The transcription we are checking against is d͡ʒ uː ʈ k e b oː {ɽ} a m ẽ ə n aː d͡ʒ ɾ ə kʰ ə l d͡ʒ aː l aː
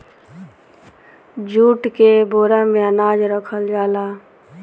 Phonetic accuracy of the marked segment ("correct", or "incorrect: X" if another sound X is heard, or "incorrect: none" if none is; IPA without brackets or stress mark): incorrect: ɾ